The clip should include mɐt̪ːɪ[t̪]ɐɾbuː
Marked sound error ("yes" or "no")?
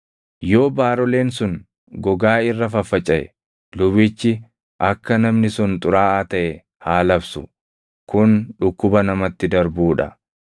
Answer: yes